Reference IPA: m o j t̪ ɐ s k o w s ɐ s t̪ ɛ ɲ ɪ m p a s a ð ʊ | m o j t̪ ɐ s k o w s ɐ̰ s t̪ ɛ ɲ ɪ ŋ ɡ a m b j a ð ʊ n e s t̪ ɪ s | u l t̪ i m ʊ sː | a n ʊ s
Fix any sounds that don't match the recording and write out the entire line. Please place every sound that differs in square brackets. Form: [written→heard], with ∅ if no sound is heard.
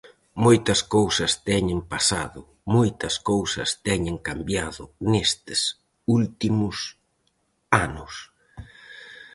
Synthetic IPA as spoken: m o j t̪ ɐ s k o w s ɐ s t̪ ɛ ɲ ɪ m p a s a ð ʊ | m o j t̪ ɐ s k o w s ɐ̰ s t̪ ɛ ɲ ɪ ŋ [ɡ→k] a m b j a ð ʊ n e s t̪ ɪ s | u l t̪ i m ʊ [sː→s] | a n ʊ s